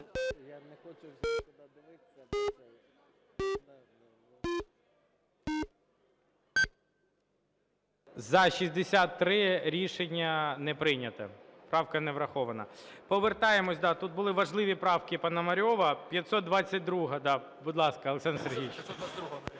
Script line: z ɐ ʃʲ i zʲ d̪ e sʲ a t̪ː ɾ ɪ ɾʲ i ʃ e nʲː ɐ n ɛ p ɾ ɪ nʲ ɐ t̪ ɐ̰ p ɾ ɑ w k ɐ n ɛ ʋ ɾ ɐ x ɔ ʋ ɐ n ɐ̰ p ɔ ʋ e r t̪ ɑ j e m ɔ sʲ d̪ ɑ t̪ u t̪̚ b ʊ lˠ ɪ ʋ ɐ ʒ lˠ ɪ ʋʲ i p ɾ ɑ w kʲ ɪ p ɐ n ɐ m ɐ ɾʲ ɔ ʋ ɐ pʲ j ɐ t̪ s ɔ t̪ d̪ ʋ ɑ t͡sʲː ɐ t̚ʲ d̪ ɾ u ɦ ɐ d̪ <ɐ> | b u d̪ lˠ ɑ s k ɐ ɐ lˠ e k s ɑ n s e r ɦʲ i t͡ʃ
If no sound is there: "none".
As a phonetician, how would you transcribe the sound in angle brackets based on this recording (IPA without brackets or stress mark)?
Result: ɑ